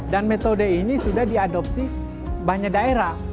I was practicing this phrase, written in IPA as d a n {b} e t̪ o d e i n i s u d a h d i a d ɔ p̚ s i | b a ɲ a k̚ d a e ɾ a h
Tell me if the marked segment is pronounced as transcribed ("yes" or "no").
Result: no